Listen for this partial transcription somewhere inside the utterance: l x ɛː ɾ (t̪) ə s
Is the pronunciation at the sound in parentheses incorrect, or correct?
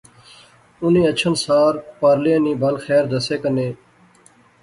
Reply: incorrect